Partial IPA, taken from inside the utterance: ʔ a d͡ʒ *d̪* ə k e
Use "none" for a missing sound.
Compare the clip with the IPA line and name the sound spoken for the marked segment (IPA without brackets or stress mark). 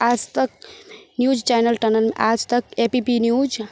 t̪